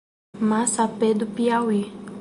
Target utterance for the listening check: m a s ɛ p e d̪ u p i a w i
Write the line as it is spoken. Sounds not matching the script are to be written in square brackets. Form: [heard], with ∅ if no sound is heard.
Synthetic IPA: m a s [a] p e d̪ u p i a w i